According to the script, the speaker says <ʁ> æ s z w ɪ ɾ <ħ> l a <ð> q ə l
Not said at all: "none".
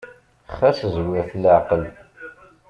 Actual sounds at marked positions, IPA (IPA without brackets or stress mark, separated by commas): χ, θ, ʕ